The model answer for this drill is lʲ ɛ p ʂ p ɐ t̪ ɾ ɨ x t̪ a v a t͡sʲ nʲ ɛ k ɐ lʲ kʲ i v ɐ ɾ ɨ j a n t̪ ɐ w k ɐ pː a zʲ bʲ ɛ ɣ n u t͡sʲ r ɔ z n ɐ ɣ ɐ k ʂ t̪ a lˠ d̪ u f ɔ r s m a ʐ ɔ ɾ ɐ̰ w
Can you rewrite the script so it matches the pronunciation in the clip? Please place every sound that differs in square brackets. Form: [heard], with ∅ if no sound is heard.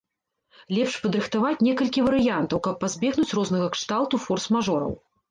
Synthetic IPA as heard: lʲ ɛ p ʂ p ɐ [d̪] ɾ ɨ x t̪ a v a t͡sʲ nʲ ɛ k ɐ lʲ kʲ i v ɐ ɾ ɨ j a n t̪ ɐ w k ɐ pː a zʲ bʲ ɛ ɣ n u t͡sʲ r ɔ z n ɐ ɣ ɐ k ʂ t̪ a lˠ [t̪] u f ɔ r s m a ʐ ɔ ɾ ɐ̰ w